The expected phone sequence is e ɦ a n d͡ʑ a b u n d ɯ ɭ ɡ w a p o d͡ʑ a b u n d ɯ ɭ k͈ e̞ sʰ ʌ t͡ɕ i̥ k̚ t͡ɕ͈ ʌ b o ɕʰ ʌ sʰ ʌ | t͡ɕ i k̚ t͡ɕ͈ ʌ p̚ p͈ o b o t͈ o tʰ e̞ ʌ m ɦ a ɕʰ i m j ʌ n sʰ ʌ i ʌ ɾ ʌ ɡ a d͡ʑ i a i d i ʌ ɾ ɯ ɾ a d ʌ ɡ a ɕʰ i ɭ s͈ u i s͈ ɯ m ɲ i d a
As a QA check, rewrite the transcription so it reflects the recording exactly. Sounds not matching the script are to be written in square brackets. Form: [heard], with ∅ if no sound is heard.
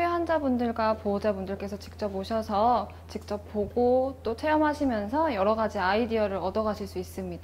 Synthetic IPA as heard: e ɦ a n d͡ʑ a b u n d ɯ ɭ ɡ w a p o d͡ʑ a b u n d ɯ ɭ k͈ e̞ sʰ ʌ t͡ɕ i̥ k̚ t͡ɕ͈ ʌ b o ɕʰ ʌ sʰ ʌ | t͡ɕ i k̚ t͡ɕ͈ ʌ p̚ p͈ o [ɡ] o t͈ o tʰ e̞ ʌ m ɦ a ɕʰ i m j ʌ n sʰ ʌ [j] ʌ ɾ ʌ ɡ a d͡ʑ i a i d i ʌ ɾ ɯ ɾ [ʌ] d ʌ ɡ a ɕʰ i ɭ s͈ u i s͈ ɯ m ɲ i d a